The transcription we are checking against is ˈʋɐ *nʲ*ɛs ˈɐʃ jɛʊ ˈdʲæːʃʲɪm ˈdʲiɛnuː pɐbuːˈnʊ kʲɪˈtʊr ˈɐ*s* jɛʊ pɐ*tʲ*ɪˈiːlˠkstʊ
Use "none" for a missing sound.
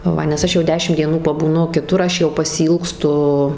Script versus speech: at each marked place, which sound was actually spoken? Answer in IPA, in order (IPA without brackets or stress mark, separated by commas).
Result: nʲ, ʃ, sʲ